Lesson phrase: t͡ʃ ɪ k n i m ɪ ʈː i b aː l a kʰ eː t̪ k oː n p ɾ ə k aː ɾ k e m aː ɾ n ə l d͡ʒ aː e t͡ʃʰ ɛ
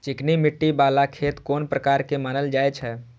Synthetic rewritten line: t͡ʃ ɪ k n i m ɪ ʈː i b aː l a kʰ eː t̪ k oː n p ɾ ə k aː ɾ k e m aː n ə l d͡ʒ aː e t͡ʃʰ ɛ